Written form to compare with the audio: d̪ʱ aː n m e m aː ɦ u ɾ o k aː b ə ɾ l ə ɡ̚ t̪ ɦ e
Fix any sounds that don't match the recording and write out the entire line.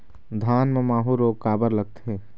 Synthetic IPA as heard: d̪ʱ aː n m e m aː ɦ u ɾ o k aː b ə ɾ l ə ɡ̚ t̪ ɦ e